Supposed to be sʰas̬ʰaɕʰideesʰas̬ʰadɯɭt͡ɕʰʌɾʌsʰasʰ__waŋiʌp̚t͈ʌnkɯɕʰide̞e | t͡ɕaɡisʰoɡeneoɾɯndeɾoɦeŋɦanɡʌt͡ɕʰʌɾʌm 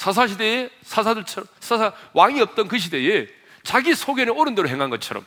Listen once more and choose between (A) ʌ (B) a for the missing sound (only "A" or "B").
B